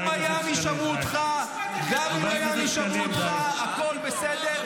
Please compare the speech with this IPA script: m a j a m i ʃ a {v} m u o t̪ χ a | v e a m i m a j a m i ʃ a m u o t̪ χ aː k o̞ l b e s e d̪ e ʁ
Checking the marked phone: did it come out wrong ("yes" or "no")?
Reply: yes